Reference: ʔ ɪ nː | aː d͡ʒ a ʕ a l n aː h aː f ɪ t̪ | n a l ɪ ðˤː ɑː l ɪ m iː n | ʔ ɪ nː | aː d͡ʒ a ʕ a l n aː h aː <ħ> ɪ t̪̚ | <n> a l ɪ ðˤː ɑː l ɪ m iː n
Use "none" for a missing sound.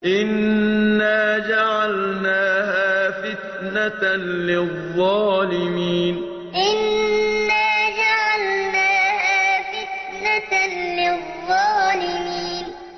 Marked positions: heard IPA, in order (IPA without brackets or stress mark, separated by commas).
f, n